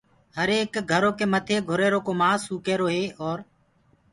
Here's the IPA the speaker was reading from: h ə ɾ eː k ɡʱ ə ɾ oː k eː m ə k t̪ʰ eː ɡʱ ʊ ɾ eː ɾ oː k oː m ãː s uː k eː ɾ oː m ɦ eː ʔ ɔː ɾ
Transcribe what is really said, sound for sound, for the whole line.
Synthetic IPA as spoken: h ə ɾ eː k ɡʱ ə ɾ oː k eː m ə t̪ʰ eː ɡʱ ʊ ɾ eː ɾ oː k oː m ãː s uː k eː ɾ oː ɦ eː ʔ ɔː ɾ